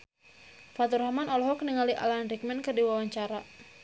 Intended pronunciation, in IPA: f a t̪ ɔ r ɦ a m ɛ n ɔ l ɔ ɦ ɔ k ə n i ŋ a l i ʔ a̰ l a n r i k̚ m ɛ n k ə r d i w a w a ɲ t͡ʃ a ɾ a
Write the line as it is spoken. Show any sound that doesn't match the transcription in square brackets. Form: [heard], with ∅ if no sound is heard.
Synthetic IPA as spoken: f a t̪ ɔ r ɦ a m [a] n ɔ l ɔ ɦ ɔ k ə n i ŋ a l i ʔ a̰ l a n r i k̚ m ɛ n k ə r d i w a w a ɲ t͡ʃ a ɾ a